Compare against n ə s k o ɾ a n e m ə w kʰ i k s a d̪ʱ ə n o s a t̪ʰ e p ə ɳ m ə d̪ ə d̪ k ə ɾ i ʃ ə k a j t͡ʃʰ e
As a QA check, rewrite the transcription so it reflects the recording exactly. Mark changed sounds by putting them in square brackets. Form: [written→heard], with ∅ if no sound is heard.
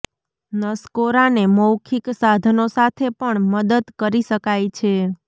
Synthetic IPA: n ə s k o ɾ a n e m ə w kʰ i k s a d̪ʱ ə n o s a t̪ʰ e p ə ɳ m ə d̪ ə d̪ k ə ɾ i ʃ ə k a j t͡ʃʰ e

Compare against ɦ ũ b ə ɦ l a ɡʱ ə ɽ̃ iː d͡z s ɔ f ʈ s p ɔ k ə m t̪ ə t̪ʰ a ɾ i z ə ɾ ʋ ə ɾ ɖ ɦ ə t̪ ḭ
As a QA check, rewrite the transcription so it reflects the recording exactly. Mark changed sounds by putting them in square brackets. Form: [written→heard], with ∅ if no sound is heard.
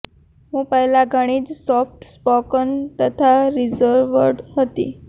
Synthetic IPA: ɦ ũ [b→p] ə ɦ l a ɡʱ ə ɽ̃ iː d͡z s ɔ f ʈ s p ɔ k ə [m→n] t̪ ə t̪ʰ a ɾ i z ə ɾ ʋ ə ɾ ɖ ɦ ə t̪ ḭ

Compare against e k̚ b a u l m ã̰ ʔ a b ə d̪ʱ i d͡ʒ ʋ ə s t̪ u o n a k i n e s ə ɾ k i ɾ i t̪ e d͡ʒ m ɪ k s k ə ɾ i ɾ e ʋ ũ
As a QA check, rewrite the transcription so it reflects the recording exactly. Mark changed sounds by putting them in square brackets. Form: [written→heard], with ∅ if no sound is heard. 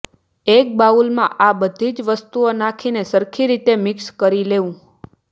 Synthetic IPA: e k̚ b a u l m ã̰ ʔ a b ə d̪ʱ i d͡ʒ ʋ ə s t̪ u o n a [k→kʰ] i n e s ə ɾ [k→kʰ] i ɾ i t̪ e [d͡ʒ→∅] m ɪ k s k ə ɾ i [ɾ→l] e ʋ ũ

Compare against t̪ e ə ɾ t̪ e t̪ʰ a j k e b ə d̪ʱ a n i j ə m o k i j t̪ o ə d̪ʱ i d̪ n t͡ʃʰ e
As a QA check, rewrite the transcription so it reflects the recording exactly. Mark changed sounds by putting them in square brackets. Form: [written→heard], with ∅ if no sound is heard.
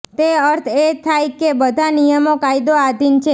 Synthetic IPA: t̪ e ə ɾ [t̪→t̪ʰ] e t̪ʰ a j k e b ə d̪ʱ a n i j ə m o k [i→a] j [t̪→d̪] o [ə→a] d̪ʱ i [d̪→∅] n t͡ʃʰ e

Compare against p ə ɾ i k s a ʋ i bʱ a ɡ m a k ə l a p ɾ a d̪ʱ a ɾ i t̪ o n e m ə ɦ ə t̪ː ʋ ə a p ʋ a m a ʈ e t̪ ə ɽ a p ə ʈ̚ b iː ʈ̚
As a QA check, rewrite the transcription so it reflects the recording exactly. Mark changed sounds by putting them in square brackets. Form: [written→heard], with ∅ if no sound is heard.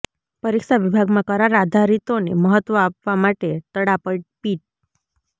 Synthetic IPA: p ə ɾ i k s a ʋ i bʱ a ɡ m a k ə [l→ɾ] a [p→∅] ɾ a d̪ʱ a ɾ i t̪ o n e m ə ɦ ə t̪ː ʋ ə a p ʋ a m a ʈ e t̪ ə ɽ a p ə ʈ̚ [b→p] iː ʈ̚

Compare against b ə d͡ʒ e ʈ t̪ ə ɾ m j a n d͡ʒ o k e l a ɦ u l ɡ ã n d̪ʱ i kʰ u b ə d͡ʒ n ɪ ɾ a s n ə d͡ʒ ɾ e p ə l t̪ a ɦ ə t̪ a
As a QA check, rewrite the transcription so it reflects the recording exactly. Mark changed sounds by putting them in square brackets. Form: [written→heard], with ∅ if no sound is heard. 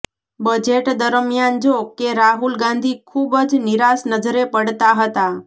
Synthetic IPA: b ə d͡ʒ e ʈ [t̪→d̪] ə ɾ m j a n d͡ʒ o k e [l→ɾ] a ɦ u l ɡ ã n d̪ʱ i kʰ u b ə d͡ʒ n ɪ ɾ a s n ə d͡ʒ ɾ e p ə [l→ɽ] t̪ a ɦ ə t̪ a

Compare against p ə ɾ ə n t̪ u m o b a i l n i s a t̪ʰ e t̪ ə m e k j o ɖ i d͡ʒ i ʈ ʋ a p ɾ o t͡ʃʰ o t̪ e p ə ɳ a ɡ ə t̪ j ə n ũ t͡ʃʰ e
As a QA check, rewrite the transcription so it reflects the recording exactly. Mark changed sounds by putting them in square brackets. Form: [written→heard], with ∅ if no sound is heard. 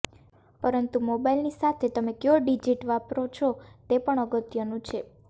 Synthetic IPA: p ə ɾ ə n t̪ u m o b a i l n i s a t̪ʰ e t̪ ə m e k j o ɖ i d͡ʒ i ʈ ʋ a p ɾ o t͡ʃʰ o t̪ e p ə ɳ [a→ə] ɡ ə t̪ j ə n ũ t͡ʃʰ e

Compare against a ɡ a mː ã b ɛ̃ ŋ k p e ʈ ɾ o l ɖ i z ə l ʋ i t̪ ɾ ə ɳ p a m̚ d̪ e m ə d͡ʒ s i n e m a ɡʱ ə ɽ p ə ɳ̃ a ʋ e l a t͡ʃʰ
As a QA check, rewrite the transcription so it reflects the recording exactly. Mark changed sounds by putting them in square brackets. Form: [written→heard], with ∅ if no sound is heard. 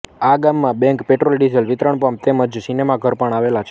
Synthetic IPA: a ɡ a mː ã b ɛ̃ ŋ k p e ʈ ɾ o l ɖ i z ə l ʋ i t̪ ɾ ə ɳ p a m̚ [d̪→t̪] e m ə d͡ʒ s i n e m a ɡʱ ə [ɽ→ɾ] p ə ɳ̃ a ʋ e l a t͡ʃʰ

